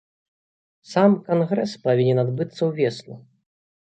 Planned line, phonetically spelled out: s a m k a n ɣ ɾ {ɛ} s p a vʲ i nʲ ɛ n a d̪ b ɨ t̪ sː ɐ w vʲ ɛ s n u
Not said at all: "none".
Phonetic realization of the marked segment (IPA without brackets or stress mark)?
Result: ɛ